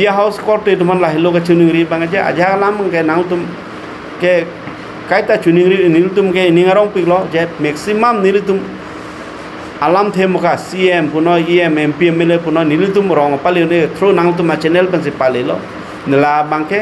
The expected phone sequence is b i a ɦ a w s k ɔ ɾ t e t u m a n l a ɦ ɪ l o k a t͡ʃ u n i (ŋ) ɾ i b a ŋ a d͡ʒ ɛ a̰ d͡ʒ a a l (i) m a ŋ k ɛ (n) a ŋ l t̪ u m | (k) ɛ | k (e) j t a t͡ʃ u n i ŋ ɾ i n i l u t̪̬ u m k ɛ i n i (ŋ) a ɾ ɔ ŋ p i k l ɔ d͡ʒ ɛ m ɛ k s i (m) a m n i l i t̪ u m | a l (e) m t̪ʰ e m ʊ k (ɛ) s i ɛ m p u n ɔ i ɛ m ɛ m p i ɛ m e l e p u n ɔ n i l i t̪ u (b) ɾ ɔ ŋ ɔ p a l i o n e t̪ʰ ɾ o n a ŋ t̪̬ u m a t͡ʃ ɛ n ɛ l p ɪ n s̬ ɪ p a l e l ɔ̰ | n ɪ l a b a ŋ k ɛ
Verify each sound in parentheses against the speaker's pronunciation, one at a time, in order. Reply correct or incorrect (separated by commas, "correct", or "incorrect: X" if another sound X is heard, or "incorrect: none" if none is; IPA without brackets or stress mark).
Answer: correct, incorrect: a, correct, correct, incorrect: a, correct, correct, incorrect: a, incorrect: a, incorrect: m